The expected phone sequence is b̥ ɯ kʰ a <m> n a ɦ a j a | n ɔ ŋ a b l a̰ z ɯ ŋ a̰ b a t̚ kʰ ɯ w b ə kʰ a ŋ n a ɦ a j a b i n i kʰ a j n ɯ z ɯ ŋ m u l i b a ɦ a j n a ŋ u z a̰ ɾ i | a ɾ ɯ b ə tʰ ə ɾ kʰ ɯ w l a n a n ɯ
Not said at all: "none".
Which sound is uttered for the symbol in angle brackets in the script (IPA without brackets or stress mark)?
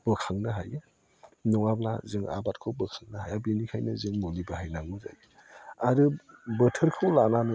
ŋ